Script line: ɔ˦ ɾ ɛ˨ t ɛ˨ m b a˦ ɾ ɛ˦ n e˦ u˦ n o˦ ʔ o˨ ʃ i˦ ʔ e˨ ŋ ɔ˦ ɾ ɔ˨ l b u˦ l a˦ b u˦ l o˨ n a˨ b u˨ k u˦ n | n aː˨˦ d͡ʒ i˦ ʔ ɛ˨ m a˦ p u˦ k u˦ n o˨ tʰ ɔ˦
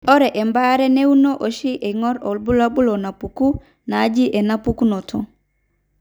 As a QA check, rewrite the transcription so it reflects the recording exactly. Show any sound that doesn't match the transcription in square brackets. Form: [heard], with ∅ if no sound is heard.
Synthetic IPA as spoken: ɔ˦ ɾ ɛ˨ [ʔ] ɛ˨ m b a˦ ɾ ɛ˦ n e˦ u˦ n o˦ ʔ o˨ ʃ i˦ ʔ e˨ ŋ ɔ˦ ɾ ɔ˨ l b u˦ l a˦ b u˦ l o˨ n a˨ [p] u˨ k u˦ [∅] | n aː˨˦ d͡ʒ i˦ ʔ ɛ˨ [n] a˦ p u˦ k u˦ n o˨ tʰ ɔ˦